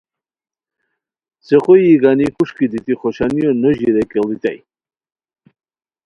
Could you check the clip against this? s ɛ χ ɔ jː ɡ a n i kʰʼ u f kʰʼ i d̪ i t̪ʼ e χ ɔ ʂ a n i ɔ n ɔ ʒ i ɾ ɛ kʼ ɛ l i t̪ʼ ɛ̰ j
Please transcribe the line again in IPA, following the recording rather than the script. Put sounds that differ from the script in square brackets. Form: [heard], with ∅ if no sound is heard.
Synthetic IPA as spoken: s ɛ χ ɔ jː ɡ a n i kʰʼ u [ʃ] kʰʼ i d̪ i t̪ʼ [i] χ ɔ [ʃ] a n i ɔ n ɔ ʒ i ɾ ɛ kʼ ɛ l i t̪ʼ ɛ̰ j